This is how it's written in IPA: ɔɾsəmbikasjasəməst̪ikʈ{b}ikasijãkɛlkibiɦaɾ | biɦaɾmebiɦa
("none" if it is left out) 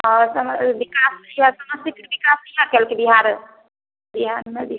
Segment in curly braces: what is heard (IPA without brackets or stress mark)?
b